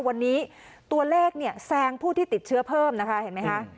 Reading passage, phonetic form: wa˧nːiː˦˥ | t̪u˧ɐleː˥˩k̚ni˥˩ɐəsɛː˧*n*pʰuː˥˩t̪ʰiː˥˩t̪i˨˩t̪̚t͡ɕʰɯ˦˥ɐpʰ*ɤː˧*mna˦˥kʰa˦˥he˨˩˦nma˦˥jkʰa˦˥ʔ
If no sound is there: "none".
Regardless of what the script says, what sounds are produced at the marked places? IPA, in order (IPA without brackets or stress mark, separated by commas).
ŋ, ɤː˥˩